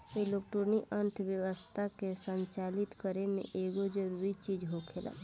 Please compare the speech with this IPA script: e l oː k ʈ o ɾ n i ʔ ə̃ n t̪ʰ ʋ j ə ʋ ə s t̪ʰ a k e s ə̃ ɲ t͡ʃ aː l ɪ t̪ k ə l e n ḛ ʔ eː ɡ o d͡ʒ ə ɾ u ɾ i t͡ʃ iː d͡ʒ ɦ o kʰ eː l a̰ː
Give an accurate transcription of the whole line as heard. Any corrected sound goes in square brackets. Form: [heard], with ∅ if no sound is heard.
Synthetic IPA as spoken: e l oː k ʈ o ɾ n i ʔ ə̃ n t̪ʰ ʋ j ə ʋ ə s t̪ʰ a k e s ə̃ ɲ t͡ʃ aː l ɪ t̪ k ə [ɾ] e n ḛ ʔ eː ɡ o d͡ʒ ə ɾ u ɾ i t͡ʃ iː d͡ʒ ɦ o kʰ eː l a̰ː